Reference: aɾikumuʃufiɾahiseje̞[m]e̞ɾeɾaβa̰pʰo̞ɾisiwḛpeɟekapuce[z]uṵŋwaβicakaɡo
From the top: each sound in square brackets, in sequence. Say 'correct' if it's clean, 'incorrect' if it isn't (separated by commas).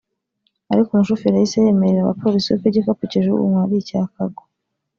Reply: correct, incorrect